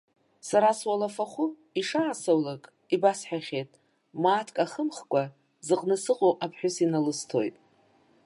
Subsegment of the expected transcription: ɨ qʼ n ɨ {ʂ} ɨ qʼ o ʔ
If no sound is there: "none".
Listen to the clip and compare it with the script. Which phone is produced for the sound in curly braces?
s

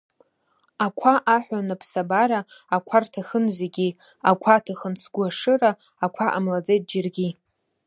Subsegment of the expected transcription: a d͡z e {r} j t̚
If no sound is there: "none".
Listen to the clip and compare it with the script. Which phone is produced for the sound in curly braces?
none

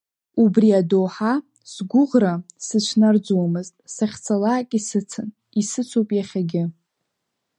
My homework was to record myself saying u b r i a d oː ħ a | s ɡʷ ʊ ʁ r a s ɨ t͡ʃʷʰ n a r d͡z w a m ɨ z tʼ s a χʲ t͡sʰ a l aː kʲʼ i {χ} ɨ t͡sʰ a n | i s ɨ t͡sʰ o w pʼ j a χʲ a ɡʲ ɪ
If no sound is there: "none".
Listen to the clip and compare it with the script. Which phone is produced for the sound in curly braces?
s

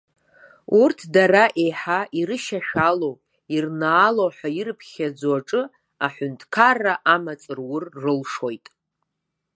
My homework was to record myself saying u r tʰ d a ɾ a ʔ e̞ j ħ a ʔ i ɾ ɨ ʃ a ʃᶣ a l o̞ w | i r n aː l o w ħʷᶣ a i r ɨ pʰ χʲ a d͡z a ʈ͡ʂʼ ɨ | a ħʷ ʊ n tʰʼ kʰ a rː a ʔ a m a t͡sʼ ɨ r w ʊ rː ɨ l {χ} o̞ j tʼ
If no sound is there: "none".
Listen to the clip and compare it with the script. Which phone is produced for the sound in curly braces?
ʂ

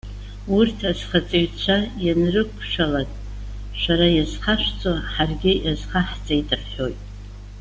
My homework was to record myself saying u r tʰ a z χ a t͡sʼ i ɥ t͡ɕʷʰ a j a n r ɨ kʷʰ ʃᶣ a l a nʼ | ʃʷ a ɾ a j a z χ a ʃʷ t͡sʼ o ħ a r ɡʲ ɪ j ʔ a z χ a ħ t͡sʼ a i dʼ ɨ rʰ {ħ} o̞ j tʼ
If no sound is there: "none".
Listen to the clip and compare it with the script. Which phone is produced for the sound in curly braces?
ħ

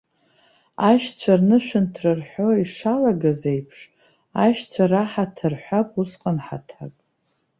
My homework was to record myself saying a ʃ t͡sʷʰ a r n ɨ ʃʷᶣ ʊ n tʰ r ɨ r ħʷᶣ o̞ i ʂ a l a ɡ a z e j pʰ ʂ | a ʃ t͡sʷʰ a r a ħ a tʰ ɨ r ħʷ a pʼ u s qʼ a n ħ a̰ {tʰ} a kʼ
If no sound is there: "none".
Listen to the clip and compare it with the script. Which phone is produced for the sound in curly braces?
tʰ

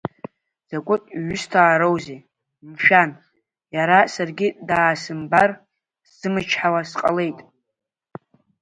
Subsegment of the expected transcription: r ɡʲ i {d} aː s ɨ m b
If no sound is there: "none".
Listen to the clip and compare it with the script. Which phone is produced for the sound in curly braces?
d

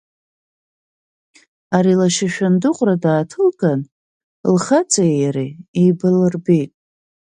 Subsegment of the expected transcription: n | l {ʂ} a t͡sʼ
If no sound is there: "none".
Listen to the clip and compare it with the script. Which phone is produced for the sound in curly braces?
χ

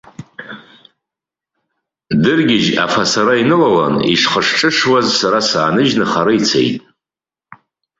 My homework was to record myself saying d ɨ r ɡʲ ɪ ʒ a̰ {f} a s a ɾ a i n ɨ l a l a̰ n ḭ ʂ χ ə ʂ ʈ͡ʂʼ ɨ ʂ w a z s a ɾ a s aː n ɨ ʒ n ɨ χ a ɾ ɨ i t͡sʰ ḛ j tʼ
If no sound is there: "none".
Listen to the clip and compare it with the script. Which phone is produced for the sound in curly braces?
f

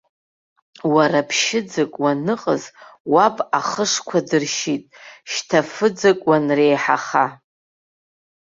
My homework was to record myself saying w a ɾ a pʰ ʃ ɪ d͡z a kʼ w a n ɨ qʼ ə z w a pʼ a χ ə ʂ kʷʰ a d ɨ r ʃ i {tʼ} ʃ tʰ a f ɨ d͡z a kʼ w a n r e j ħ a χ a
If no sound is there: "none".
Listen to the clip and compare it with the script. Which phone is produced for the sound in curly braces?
tʼ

